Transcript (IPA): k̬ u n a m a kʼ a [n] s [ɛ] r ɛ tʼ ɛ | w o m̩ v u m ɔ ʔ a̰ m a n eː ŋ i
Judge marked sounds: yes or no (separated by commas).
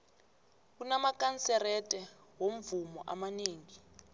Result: yes, yes